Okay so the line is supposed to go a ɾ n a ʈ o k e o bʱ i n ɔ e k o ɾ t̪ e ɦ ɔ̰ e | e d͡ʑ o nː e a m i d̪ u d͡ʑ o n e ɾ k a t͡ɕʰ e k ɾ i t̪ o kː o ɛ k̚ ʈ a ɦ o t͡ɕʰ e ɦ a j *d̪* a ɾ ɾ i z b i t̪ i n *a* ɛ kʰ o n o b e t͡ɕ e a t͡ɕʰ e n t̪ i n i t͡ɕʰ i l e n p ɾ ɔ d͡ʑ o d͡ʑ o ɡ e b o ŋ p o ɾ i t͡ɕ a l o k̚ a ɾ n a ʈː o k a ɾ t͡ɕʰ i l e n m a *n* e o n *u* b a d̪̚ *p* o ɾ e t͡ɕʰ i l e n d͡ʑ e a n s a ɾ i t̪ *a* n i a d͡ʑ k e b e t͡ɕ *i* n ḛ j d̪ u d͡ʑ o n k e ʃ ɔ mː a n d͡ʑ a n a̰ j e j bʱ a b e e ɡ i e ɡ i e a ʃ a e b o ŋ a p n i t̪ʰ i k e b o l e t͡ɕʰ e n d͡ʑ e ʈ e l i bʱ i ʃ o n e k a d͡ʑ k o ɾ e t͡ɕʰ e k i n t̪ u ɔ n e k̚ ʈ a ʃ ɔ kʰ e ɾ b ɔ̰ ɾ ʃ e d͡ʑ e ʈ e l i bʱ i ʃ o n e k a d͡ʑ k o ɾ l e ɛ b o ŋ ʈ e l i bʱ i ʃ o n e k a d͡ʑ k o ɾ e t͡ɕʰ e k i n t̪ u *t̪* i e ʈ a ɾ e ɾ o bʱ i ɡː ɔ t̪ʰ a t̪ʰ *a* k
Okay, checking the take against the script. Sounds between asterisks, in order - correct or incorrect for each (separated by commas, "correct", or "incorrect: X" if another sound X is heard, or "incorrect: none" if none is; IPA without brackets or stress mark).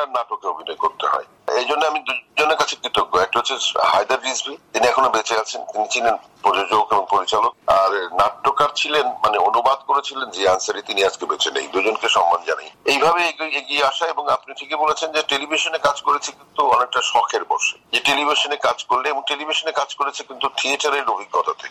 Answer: correct, incorrect: i, correct, correct, incorrect: k, incorrect: i, incorrect: e, incorrect: t̪ʰ, incorrect: e